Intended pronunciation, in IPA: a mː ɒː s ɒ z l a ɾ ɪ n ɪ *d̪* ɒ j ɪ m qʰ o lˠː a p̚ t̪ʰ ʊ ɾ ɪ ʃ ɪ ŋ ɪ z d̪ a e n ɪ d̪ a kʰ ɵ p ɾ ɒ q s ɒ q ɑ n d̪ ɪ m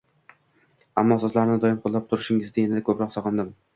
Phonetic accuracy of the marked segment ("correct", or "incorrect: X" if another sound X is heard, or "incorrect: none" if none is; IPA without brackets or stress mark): correct